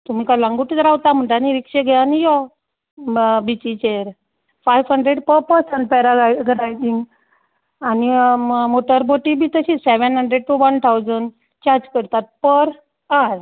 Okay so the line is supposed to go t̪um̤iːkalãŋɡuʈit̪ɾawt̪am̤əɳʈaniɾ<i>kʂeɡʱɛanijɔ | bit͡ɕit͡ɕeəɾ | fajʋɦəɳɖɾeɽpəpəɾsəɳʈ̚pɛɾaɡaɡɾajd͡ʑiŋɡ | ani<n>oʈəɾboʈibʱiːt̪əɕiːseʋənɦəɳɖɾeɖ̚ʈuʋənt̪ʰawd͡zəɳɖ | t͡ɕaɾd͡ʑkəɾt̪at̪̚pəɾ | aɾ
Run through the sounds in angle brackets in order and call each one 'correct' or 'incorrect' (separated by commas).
correct, incorrect